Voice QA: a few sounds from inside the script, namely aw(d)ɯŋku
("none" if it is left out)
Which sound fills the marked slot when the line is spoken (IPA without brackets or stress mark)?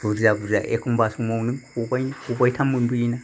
n